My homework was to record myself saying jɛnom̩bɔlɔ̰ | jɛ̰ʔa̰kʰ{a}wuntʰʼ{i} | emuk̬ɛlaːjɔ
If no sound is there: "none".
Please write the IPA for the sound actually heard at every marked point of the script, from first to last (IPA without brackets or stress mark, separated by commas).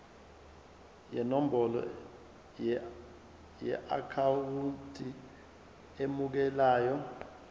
a, i